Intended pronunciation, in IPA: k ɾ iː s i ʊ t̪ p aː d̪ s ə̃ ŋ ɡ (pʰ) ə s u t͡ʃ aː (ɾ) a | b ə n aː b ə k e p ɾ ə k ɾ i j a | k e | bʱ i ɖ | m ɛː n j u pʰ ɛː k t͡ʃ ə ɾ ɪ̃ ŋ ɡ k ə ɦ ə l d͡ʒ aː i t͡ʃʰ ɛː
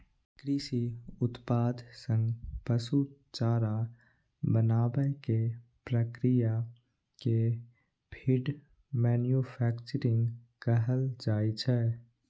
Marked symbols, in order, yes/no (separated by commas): no, yes